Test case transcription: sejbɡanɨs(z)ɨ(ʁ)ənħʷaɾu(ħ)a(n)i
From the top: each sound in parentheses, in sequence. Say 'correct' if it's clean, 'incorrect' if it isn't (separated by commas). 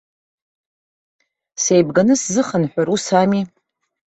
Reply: correct, incorrect, incorrect, incorrect